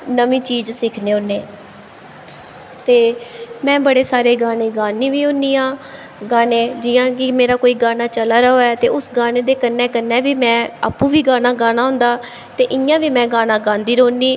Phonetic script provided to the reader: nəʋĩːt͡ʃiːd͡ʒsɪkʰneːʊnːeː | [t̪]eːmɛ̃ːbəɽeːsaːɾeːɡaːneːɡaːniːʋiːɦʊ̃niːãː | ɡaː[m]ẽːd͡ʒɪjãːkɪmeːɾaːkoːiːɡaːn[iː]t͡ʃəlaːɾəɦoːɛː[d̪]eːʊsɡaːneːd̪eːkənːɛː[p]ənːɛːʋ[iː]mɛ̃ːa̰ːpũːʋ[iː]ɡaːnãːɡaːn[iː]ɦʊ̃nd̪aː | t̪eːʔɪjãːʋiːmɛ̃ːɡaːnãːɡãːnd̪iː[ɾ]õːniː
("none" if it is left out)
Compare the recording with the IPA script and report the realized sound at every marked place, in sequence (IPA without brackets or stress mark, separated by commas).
t̪, n, aː, t̪, k, iː, iː, aː, ɾ